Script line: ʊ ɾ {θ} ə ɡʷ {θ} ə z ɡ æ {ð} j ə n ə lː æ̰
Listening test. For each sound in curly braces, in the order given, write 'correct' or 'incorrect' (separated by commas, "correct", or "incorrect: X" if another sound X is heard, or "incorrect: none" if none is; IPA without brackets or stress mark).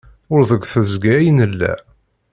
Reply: incorrect: ð, correct, incorrect: none